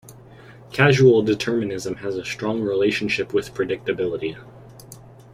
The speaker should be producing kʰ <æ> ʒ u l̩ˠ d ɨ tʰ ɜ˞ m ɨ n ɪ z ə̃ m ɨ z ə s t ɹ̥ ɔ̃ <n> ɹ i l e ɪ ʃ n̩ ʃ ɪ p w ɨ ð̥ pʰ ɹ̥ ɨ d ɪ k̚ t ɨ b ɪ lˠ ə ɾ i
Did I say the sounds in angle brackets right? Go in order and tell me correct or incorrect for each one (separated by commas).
correct, incorrect